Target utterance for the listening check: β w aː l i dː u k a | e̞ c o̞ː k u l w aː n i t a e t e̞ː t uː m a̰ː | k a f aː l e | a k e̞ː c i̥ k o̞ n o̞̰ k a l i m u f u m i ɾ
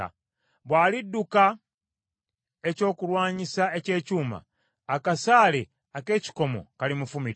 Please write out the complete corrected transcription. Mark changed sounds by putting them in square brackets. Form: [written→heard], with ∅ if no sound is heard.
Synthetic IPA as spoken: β w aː l i dː u k a | e̞ c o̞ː k u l w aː [n→ɲ] i [t→s] a e [t→c] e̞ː [t→c] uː m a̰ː | k a [f→s] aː l e | a k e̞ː c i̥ k o̞ [n→m] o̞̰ k a l i m u f u m i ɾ